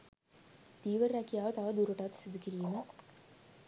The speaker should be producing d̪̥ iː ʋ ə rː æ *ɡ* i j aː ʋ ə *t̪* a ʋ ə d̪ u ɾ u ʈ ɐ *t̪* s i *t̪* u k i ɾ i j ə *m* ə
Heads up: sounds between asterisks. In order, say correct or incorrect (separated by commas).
incorrect, correct, correct, incorrect, correct